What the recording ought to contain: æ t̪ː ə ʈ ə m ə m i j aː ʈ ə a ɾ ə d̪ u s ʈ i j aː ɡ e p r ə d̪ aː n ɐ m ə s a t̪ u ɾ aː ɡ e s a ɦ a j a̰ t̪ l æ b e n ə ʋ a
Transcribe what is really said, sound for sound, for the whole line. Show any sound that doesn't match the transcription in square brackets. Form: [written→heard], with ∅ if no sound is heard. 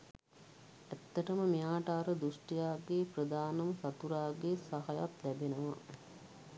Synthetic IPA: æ t̪ː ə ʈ ə m ə m i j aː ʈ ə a ɾ ə d̪ u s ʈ i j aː ɡ e p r ə d̪ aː n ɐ m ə s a t̪ u ɾ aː ɡ e s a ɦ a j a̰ t̪ l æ b e n ə ʋ a